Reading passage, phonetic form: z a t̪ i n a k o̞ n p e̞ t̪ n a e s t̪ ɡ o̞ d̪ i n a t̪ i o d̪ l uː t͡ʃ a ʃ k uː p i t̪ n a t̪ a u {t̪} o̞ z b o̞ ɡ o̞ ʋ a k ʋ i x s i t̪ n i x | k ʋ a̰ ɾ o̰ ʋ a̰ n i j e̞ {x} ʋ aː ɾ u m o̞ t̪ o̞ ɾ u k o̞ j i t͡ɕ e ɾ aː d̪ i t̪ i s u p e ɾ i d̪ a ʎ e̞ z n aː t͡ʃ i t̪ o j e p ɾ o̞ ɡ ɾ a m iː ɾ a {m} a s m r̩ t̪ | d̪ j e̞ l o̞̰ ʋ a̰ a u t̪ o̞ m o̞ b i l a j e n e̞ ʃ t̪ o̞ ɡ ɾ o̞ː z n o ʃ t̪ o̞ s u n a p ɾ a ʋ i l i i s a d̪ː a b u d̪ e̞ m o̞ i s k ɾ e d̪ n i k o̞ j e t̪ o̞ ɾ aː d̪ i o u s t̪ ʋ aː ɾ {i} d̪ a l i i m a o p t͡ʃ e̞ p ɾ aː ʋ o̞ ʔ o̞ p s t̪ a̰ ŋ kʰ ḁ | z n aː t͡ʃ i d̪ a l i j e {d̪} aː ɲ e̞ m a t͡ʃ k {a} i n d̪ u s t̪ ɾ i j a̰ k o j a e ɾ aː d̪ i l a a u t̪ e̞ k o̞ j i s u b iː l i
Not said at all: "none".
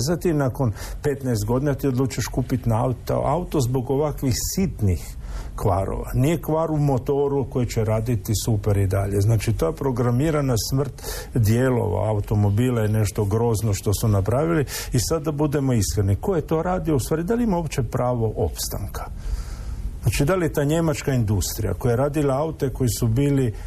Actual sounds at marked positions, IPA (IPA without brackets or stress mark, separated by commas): t̪, k, n, i, t̪, a